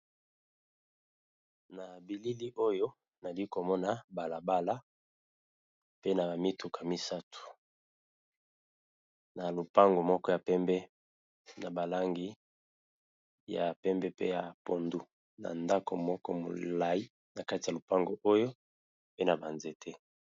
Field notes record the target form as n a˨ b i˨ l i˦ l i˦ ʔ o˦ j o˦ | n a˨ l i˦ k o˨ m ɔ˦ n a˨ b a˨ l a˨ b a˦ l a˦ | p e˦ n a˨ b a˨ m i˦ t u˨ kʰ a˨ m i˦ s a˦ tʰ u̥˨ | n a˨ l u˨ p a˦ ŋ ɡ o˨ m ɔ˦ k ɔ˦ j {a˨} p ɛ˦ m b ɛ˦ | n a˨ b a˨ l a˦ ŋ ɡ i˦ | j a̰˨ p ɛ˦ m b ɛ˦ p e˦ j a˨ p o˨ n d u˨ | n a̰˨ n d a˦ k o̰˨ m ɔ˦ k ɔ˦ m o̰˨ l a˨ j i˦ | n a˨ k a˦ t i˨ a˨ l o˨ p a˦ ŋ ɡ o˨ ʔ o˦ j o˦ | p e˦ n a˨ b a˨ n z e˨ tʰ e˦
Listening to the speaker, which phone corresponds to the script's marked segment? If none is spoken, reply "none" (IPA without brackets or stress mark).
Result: a˨